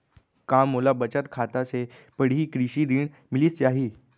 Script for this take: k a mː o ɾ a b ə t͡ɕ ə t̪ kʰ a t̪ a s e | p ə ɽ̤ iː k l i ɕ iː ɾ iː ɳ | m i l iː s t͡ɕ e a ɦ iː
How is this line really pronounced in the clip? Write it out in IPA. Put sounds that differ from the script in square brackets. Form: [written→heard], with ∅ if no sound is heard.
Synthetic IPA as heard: k a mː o [ɾ→l] a b ə t͡ɕ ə t̪ kʰ a t̪ a s e | p ə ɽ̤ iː k [l→ɾ] i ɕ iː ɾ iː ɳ | m i l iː s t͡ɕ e a ɦ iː